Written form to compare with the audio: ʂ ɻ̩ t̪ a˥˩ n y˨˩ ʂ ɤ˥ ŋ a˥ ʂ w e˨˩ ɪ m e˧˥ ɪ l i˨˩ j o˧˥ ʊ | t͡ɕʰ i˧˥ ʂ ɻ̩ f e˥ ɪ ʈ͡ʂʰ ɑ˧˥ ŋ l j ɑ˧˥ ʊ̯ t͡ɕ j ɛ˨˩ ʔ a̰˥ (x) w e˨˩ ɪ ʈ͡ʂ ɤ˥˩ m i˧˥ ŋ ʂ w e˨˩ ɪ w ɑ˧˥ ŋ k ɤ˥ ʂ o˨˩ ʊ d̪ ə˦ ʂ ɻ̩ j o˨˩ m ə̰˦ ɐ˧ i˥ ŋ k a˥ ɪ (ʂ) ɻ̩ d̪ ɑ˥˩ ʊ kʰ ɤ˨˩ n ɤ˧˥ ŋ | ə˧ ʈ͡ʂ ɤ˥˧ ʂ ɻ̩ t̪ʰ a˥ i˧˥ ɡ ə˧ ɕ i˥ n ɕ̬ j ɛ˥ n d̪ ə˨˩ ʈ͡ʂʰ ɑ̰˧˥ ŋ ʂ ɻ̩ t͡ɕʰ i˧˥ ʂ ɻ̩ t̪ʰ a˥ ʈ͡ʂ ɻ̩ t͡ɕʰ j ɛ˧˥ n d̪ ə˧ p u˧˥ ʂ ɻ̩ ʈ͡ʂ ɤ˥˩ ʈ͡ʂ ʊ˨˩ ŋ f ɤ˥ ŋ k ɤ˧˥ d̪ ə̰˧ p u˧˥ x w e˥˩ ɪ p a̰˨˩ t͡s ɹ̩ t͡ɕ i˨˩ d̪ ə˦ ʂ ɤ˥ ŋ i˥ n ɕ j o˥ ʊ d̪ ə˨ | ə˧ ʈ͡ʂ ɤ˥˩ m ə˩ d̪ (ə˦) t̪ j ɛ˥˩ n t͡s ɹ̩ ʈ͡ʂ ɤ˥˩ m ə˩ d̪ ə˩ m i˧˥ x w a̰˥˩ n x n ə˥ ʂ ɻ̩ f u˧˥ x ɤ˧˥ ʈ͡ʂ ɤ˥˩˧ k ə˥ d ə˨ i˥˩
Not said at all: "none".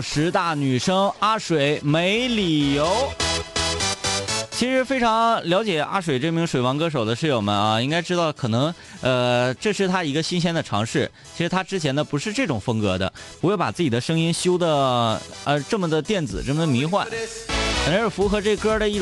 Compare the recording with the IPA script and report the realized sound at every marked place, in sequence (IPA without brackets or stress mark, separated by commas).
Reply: ʂ, ʈ͡ʂ, ə˩